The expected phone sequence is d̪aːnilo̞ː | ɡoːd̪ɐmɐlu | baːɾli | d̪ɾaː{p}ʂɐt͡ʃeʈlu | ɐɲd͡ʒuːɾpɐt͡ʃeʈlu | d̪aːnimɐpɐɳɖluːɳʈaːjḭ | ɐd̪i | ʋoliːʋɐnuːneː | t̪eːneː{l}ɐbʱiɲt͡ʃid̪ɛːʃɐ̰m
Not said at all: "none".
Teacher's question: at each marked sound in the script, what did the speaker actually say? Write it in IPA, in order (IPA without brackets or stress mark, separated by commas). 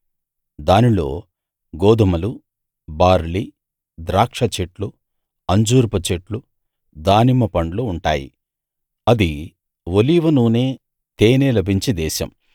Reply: k, l